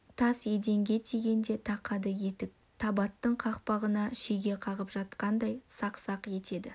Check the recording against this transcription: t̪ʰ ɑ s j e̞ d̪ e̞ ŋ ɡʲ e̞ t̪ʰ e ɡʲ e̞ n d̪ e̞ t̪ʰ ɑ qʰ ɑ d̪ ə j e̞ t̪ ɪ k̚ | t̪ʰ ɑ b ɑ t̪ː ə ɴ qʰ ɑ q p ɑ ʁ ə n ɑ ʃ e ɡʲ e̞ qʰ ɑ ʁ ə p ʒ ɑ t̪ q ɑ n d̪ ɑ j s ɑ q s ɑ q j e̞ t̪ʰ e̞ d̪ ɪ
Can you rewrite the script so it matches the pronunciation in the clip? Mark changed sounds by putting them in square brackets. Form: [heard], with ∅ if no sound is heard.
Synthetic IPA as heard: t̪ʰ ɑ s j e̞ d̪ e̞ ŋ ɡʲ e̞ t̪ʰ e ɡʲ e̞ n d̪ e̞ t̪ʰ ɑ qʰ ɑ d̪ ə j e̞ t̪ ɪ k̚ | t̪ʰ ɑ b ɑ t̪ː ə ɴ qʰ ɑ q p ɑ ʁ ə n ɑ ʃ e ɡʲ e̞ qʰ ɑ ʁ ə p ʒ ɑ t̪ q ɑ n d̪ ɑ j s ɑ q s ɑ q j e̞ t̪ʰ e̞ d̪ ɪ